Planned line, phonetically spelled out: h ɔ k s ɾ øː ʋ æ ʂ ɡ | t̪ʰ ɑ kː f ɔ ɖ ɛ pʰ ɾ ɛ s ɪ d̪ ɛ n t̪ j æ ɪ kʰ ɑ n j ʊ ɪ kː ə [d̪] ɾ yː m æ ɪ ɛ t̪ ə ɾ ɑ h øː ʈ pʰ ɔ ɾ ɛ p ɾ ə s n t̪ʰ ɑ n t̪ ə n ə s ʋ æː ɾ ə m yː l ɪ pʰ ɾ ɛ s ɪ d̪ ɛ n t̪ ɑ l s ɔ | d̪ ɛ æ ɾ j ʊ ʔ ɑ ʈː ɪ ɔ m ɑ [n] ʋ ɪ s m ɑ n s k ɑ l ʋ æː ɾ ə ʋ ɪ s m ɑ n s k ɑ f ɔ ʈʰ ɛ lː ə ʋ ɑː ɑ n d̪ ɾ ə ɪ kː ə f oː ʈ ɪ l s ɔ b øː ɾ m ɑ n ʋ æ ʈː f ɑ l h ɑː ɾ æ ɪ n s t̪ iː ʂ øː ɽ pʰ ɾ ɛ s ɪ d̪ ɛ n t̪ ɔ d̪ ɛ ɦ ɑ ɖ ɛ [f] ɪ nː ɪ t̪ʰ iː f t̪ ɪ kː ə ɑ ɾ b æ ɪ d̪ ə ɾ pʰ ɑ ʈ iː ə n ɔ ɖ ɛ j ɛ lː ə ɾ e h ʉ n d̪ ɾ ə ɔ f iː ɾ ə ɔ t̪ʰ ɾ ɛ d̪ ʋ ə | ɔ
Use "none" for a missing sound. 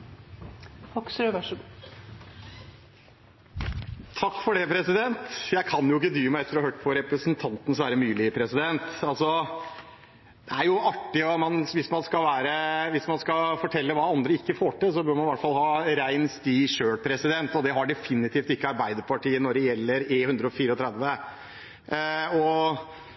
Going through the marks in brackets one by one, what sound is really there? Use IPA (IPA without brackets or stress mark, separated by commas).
d̪, n, f